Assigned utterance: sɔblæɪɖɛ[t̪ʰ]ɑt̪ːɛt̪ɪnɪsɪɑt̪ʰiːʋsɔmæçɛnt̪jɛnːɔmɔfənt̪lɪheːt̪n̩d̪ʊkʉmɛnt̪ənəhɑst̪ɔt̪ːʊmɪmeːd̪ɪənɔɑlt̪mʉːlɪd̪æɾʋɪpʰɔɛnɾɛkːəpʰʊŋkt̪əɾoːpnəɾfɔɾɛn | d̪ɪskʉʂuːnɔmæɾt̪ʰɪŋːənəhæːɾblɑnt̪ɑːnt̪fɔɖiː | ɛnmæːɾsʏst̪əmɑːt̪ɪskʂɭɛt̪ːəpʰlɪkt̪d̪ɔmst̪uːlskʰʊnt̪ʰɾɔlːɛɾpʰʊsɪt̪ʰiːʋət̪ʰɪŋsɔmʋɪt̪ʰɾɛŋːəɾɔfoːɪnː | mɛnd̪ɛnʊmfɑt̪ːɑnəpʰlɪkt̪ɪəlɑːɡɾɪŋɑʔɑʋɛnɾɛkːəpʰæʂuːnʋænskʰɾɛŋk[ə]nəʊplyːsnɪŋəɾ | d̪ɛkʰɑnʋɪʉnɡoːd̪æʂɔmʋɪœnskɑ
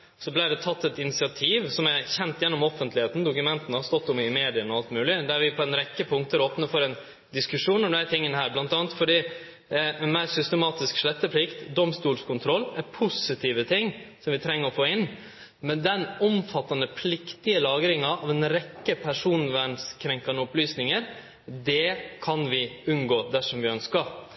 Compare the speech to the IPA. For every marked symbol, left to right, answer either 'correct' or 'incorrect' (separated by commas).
correct, incorrect